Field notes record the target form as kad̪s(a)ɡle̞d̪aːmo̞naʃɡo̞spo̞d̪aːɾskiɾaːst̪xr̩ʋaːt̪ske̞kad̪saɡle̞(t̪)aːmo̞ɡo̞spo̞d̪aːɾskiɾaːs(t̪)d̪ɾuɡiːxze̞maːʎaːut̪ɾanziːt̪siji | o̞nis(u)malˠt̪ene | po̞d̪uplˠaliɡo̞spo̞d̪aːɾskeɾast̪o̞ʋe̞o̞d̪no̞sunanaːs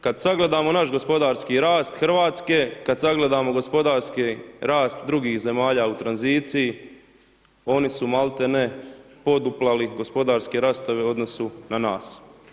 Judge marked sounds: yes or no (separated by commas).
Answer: yes, no, yes, yes